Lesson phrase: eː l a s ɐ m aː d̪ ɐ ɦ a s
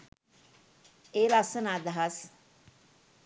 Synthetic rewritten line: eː l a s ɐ n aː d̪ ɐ ɦ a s